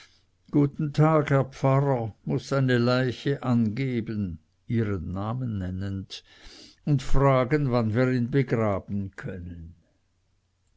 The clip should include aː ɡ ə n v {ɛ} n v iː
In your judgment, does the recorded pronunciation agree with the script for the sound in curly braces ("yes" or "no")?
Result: no